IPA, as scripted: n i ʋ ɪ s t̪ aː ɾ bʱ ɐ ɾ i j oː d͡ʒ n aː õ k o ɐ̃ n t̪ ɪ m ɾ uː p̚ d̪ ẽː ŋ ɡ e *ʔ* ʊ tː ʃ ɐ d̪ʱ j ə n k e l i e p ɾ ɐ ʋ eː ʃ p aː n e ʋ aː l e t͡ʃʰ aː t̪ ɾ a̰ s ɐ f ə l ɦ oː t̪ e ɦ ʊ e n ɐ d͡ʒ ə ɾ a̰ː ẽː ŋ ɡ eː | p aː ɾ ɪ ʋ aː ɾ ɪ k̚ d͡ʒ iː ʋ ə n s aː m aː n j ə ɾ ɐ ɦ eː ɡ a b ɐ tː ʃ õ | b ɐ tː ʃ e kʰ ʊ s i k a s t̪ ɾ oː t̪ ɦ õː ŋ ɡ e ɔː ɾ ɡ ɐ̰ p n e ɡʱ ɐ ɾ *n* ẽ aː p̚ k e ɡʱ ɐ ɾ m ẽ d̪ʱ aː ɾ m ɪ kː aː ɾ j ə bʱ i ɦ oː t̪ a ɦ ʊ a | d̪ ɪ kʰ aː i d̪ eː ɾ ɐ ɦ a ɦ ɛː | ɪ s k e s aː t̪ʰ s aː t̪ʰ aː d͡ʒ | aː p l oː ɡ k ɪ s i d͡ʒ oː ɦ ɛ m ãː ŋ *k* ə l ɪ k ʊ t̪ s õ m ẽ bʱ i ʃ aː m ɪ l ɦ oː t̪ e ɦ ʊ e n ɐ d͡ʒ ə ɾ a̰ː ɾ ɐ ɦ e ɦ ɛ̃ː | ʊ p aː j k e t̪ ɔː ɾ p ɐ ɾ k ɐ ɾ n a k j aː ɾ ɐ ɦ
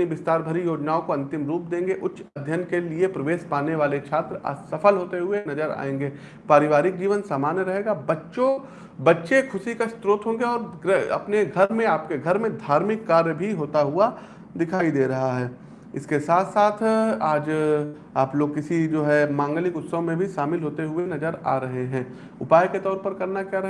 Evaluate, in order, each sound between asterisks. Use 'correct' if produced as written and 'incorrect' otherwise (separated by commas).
correct, incorrect, incorrect